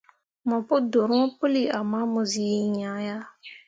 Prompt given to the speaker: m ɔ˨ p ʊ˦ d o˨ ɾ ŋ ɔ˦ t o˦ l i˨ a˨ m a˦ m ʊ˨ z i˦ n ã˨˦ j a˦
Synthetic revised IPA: m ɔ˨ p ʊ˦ d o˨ ɾ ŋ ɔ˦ p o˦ l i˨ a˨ m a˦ m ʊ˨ z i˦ ɲ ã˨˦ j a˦